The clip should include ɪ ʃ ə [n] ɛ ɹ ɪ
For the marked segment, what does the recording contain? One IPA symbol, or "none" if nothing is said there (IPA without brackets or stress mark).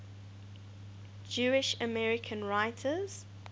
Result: m